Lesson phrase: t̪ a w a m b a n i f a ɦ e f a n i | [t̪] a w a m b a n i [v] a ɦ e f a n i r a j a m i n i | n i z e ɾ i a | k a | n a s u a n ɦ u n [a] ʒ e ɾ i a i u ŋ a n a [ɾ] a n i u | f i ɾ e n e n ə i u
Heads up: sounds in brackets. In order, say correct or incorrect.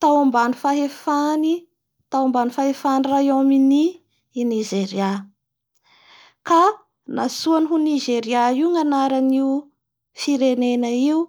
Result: correct, incorrect: f, incorrect: i, correct

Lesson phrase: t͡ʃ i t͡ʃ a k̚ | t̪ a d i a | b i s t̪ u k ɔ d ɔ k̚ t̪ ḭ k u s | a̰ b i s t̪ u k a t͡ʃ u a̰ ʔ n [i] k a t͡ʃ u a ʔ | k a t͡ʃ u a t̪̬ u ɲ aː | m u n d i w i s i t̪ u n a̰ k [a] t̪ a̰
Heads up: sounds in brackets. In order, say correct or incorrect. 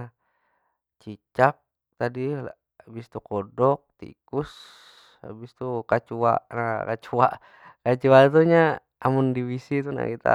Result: incorrect: a, incorrect: i

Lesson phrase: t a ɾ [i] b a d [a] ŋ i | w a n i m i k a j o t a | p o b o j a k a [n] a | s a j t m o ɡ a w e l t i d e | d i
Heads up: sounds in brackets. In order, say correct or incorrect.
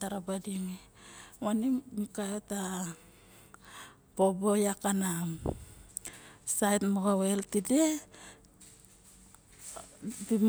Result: incorrect: a, incorrect: i, correct

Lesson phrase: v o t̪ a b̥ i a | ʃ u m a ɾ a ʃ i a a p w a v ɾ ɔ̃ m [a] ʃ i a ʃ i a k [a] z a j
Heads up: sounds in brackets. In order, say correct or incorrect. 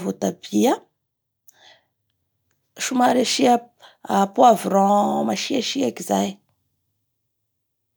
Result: correct, incorrect: i

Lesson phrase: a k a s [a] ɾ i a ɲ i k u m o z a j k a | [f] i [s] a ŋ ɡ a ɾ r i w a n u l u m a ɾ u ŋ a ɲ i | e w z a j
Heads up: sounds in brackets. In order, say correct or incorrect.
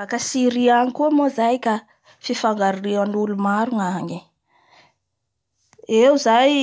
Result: incorrect: i, correct, incorrect: f

